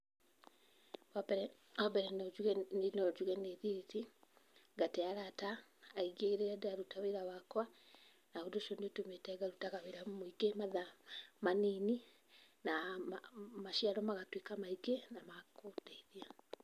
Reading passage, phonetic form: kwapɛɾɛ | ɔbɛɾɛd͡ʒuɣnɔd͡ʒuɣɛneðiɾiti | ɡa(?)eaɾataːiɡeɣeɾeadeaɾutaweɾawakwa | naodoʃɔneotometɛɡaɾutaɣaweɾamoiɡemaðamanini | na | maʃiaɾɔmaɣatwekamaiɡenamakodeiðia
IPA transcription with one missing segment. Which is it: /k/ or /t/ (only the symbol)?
t